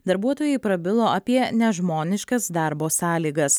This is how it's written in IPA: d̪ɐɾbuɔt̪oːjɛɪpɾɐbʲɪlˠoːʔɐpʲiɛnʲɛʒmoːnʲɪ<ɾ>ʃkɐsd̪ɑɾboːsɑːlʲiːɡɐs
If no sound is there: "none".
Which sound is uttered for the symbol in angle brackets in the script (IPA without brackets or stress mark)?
none